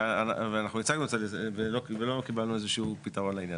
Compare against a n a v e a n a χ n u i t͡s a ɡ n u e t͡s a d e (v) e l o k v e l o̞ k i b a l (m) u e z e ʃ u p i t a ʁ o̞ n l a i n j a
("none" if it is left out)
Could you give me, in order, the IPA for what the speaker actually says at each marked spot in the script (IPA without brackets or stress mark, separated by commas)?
v, n